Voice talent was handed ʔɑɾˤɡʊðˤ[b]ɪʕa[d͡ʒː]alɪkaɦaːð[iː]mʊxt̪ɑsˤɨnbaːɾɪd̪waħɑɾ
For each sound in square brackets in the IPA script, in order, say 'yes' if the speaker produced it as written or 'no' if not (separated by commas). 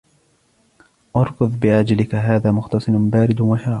yes, no, no